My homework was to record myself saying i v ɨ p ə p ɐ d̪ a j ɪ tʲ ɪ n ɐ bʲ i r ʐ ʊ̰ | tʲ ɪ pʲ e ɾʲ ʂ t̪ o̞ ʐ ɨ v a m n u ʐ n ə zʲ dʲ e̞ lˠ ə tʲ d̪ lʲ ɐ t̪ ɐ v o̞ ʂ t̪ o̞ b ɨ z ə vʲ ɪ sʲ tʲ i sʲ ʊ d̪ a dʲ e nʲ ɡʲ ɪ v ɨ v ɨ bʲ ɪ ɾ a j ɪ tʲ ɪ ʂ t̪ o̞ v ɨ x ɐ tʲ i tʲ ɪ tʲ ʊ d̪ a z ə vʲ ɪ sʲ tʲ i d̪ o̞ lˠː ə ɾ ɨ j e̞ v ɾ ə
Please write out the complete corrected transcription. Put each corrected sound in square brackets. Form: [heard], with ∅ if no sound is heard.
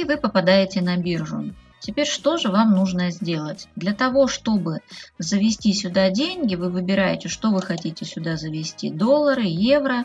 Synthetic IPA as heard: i v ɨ p ə p ɐ d̪ a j ɪ tʲ ɪ n ɐ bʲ i r ʐ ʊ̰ | tʲ ɪ pʲ e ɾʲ ʂ t̪ o̞ ʐ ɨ v a m n u ʐ n ə zʲ dʲ e̞ lˠ ə tʲ d̪ lʲ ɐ t̪ ɐ v o̞ ʂ t̪ o̞ b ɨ z ə vʲ ɪ sʲ tʲ i sʲ ʊ d̪ a dʲ e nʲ ɡʲ ɪ v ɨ v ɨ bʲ ɪ ɾ a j ɪ tʲ ɪ ʂ t̪ o̞ v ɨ x ɐ tʲ i tʲ ɪ [sʲ] ʊ d̪ a z ə vʲ ɪ sʲ tʲ i d̪ o̞ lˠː ə ɾ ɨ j e̞ v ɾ ə

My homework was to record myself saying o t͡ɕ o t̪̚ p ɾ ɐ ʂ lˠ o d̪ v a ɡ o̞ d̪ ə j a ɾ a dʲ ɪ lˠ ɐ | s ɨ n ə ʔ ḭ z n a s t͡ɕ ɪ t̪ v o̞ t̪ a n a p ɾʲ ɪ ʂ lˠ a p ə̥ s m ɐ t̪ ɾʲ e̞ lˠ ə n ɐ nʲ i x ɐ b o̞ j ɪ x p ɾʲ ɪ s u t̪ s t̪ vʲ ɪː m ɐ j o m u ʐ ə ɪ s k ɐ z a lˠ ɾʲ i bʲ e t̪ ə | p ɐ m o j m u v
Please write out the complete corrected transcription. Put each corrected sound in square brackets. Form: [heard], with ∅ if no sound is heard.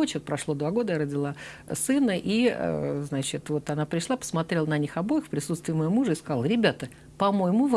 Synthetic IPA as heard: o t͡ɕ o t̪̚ p ɾ ɐ ʂ lˠ o d̪ v a ɡ o̞ d̪ ə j a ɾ [ə] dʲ ɪ lˠ [a] | s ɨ n ə ʔ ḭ z n a [∅] t͡ɕ ɪ t̪ v o̞ t̪ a n a p ɾʲ ɪ ʂ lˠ a p ə̥ s m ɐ t̪ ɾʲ e̞ lˠ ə n ɐ nʲ i x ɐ b o̞ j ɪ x p ɾʲ ɪ s u t̪ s t̪ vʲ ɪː m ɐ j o m u ʐ ə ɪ s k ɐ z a lˠ ɾʲ [ɪ] bʲ [a] t̪ ə | p ɐ m o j m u v

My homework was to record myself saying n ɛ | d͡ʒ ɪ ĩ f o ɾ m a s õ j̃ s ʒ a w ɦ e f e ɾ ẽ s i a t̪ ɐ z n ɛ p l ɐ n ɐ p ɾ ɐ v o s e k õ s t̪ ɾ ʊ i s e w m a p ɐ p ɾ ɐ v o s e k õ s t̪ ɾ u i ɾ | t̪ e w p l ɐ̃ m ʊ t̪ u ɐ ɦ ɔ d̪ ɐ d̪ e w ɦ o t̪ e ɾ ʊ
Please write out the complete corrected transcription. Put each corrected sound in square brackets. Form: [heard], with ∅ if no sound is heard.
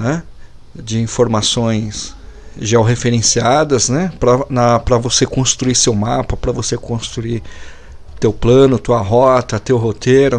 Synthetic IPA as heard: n ɛ | d͡ʒ ɪ ĩ f o ɾ m a s õ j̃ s ʒ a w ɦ e f e ɾ ẽ s i a [d̪] ɐ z n ɛ p [ɾ] ɐ n ɐ p ɾ ɐ v o s e k õ s t̪ ɾ [u] i s e w m a p ɐ p ɾ ɐ v o s e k õ s t̪ ɾ u i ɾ | t̪ e w p l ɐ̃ [n] ʊ t̪ u ɐ ɦ ɔ [t̪] ɐ [t̪] e w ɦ o t̪ e ɾ ʊ

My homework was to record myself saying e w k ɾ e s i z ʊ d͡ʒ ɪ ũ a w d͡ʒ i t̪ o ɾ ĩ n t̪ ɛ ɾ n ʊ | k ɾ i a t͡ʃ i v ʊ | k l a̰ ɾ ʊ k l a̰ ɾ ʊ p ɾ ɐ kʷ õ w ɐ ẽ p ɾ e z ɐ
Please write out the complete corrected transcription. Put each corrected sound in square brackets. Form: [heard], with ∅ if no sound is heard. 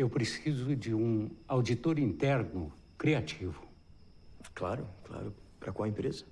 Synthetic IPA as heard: e w [p] ɾ e s i z ʊ d͡ʒ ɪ ũ a w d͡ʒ i t̪ o ɾ ĩ n t̪ ɛ ɾ n ʊ | k ɾ i a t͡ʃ i v ʊ | k l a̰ ɾ ʊ k l a̰ ɾ ʊ p ɾ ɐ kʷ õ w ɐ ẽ p ɾ e z ɐ

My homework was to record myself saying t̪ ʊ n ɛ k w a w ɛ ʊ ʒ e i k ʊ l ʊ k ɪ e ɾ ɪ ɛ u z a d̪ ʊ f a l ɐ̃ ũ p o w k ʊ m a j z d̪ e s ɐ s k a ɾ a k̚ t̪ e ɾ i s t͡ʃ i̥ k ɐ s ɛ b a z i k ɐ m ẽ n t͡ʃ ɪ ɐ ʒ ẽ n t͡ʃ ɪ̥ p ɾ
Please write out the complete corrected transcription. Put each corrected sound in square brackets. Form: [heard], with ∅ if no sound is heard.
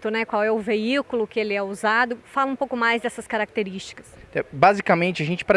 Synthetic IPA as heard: t̪ ʊ n ɛ k w a w ɛ ʊ [v] e i k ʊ l ʊ k ɪ e [l] ɪ ɛ u z a d̪ ʊ f a l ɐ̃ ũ p o w k ʊ m a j z d̪ [ɛ] s ɐ s k a ɾ a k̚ t̪ e ɾ i s t͡ʃ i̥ k ɐ s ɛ b a z i k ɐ m ẽ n t͡ʃ ɪ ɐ ʒ ẽ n t͡ʃ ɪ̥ p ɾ

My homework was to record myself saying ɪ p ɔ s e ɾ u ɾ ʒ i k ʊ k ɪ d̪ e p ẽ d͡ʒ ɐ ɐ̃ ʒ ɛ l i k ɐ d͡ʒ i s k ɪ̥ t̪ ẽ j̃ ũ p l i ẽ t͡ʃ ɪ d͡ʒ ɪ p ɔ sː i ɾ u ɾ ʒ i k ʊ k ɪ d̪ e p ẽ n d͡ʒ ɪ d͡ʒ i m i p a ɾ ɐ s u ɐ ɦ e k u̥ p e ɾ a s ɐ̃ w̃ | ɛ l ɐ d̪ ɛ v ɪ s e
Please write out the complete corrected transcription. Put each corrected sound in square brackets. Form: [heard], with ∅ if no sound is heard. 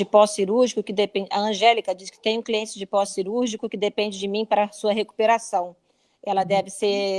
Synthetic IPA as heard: ɪ p ɔ s [i] ɾ u ɾ ʒ i k ʊ k ɪ d̪ e p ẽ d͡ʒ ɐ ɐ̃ ʒ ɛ l i k ɐ d͡ʒ i s k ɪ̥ t̪ ẽ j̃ ũ [k] l i ẽ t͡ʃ ɪ d͡ʒ ɪ p ɔ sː i ɾ u ɾ ʒ i k ʊ k ɪ d̪ e p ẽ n d͡ʒ ɪ d͡ʒ [ɪ] m [ĩ] p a ɾ ɐ s u ɐ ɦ e k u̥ p e ɾ a s ɐ̃ w̃ | ɛ l ɐ d̪ ɛ v ɪ s e

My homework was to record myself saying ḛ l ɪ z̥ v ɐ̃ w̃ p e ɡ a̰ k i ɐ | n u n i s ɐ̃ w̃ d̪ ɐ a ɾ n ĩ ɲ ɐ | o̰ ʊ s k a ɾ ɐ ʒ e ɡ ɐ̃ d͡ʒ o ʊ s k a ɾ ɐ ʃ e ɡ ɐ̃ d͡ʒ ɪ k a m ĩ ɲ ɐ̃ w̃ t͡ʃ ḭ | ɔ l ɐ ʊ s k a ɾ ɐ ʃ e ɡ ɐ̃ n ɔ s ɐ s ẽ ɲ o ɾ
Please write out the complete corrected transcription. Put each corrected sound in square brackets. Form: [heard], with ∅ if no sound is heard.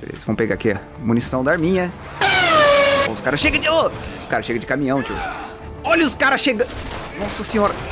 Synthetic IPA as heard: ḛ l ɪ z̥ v ɐ̃ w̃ p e ɡ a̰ k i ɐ | [m] u n i s ɐ̃ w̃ d̪ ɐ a ɾ [m] ĩ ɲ ɐ | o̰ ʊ s k a ɾ ɐ [ʃ] e ɡ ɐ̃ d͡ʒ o ʊ s k a ɾ ɐ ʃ e ɡ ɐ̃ d͡ʒ ɪ k a m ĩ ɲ ɐ̃ w̃ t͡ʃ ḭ | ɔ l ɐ ʊ s k a ɾ ɐ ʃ e ɡ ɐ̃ n ɔ s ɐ s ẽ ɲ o ɾ

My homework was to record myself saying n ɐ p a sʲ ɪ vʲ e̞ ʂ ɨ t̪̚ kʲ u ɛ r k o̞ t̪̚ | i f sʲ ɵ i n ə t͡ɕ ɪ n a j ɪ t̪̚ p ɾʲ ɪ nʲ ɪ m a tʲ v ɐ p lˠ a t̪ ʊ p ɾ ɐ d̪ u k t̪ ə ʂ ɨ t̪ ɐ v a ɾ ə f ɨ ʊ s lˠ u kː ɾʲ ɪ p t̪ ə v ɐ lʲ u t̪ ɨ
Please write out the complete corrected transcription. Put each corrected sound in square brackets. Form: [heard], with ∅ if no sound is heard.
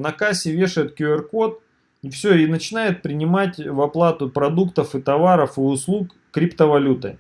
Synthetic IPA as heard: n ɐ [k] a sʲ ɪ vʲ e̞ ʂ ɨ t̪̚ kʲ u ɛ r k o̞ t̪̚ | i f sʲ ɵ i n ə t͡ɕ ɪ n a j ɪ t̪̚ p ɾʲ ɪ nʲ ɪ m a tʲ v ɐ p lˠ a t̪ ʊ p ɾ ɐ d̪ u k t̪ ə [f] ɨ t̪ ɐ v a ɾ ə f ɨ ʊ s lˠ u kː ɾʲ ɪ p t̪ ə v ɐ lʲ u t̪ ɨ

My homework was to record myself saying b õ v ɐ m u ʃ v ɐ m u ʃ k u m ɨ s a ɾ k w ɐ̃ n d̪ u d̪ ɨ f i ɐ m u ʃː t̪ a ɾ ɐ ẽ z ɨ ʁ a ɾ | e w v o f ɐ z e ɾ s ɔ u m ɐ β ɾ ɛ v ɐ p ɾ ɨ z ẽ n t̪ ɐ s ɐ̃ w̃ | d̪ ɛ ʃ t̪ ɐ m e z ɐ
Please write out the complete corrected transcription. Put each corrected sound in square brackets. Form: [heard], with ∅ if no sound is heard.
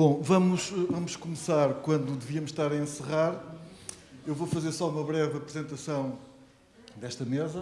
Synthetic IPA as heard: b õ v ɐ m u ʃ v ɐ m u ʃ k u m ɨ s a ɾ k w ɐ̃ n d̪ u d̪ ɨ [v] i ɐ m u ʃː t̪ a ɾ ɐ ẽ [s] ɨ ʁ a ɾ | e w v o f ɐ z e ɾ s ɔ u m ɐ β ɾ ɛ v ɐ p ɾ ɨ z ẽ n t̪ ɐ s ɐ̃ w̃ | d̪ ɛ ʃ t̪ ɐ m e z ɐ

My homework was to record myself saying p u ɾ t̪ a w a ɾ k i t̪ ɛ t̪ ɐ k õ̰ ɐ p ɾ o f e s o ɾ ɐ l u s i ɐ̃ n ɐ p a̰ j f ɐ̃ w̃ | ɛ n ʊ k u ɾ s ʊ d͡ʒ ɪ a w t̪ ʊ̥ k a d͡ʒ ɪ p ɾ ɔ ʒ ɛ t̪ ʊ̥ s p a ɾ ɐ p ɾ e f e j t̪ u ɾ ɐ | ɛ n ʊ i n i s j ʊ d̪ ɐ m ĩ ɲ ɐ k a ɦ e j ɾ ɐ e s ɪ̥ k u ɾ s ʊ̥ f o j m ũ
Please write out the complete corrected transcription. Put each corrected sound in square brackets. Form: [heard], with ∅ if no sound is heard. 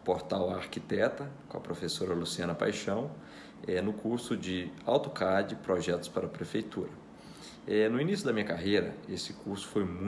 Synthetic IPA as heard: p [o] ɾ t̪ a w a ɾ k i t̪ ɛ t̪ ɐ k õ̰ ɐ p ɾ o f e s o ɾ ɐ l u s i ɐ̃ n ɐ p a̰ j [ʃ] ɐ̃ w̃ | ɛ n ʊ k u ɾ s ʊ d͡ʒ ɪ a w t̪ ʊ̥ k a d͡ʒ ɪ p ɾ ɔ ʒ ɛ t̪ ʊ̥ s p a ɾ ɐ p ɾ e f e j t̪ u ɾ ɐ | ɛ n ʊ i n i s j ʊ d̪ ɐ m ĩ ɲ ɐ k a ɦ e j ɾ ɐ e s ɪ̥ k u ɾ s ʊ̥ f o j m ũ

